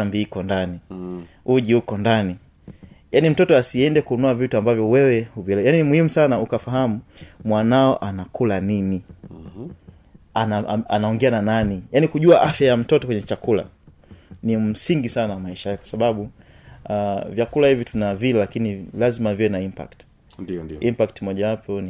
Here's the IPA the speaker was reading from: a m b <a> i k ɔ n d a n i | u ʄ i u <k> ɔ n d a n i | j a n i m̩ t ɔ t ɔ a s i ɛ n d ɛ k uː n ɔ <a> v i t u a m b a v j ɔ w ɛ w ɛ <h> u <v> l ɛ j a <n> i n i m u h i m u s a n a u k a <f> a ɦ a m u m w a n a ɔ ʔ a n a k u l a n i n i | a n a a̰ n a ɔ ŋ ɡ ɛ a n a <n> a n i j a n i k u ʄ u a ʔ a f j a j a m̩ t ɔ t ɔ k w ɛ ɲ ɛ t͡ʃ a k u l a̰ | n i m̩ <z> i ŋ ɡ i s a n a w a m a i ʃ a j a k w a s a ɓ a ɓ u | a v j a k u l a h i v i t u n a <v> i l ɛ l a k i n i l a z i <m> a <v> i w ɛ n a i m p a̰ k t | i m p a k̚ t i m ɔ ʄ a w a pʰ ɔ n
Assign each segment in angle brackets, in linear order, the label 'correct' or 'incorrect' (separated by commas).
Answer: incorrect, correct, correct, correct, correct, correct, correct, correct, incorrect, correct, correct, correct